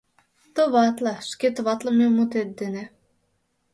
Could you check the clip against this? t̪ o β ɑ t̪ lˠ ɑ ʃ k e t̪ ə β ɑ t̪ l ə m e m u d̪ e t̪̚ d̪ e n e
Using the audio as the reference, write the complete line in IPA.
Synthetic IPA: t̪ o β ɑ t̪ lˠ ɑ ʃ k e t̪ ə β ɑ t̪ l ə m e m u t̪ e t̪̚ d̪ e n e